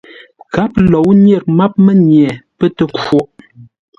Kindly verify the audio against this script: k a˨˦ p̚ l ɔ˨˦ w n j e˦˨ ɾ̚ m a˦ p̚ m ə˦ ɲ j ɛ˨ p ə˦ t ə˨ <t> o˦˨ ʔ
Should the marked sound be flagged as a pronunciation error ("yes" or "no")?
yes